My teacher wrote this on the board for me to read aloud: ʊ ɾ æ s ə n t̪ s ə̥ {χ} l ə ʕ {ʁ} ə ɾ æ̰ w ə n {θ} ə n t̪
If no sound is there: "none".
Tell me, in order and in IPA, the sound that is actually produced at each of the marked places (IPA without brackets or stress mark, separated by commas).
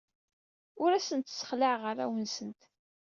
χ, ʁ, s